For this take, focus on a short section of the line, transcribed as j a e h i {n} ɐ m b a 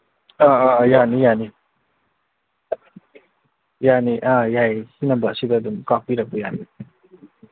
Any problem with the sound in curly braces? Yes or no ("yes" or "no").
no